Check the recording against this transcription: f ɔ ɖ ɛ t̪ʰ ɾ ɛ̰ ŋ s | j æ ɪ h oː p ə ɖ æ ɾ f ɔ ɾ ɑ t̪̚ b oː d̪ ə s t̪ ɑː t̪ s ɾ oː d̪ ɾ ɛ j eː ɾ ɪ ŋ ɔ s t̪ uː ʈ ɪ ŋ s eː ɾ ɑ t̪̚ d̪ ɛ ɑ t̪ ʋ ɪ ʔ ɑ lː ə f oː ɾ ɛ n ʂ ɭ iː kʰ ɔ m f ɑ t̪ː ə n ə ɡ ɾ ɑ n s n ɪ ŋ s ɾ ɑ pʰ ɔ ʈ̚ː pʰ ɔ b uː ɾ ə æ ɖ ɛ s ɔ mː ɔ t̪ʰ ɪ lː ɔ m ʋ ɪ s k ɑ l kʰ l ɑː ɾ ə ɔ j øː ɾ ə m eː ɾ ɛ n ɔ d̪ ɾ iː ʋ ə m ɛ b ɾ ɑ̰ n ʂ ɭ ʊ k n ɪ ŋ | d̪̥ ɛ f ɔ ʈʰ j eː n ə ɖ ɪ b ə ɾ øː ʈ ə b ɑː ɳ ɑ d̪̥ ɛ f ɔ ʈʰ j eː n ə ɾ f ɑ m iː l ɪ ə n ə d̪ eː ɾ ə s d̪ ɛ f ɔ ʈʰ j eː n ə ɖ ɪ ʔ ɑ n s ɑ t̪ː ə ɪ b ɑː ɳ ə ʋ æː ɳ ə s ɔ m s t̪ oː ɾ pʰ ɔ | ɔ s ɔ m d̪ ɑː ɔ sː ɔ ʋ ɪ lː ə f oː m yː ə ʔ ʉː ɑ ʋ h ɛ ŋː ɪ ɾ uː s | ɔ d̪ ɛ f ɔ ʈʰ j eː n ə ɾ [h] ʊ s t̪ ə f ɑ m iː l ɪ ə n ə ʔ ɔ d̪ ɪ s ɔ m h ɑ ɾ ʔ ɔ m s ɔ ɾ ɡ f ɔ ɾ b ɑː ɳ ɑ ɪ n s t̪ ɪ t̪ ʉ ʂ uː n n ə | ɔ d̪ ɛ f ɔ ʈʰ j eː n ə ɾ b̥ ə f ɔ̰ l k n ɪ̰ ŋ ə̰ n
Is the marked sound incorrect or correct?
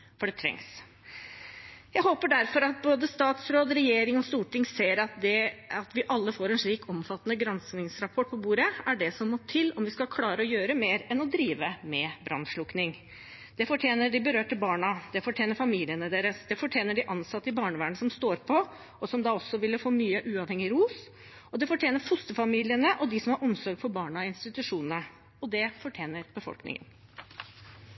incorrect